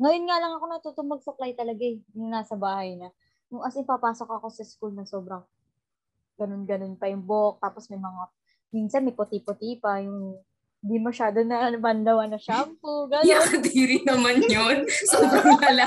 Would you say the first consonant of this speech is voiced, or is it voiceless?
voiced